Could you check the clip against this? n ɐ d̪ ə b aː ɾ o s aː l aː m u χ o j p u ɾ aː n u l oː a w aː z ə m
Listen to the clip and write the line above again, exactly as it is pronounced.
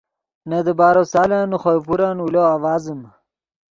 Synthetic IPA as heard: n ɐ d̪ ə b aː ɾ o s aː l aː n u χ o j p u ɾ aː n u l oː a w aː z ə m